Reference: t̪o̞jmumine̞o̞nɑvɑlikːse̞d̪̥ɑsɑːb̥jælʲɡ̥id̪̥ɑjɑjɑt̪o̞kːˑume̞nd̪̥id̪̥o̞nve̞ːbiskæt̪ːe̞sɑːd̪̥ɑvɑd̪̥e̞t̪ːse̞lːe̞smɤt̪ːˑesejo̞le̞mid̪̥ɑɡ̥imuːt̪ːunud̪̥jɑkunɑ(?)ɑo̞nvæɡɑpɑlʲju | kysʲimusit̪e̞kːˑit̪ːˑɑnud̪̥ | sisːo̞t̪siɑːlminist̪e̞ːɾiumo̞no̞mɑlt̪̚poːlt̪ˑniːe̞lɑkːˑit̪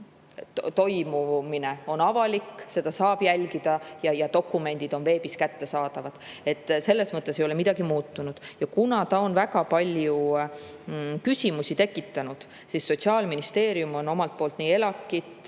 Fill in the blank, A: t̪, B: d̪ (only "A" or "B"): A